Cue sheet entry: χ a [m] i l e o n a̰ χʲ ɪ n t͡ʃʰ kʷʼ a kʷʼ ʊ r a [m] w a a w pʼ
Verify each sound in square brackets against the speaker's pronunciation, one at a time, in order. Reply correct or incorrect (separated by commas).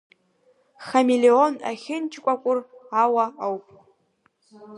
correct, incorrect